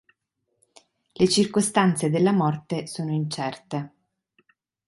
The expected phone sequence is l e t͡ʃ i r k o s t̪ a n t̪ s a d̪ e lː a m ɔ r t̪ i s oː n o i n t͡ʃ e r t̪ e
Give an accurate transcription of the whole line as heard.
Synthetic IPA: l e t͡ʃ i r k o s t̪ a n t̪ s e d̪ e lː a m ɔ r t̪ e s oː n o i n t͡ʃ ɛ r t̪ e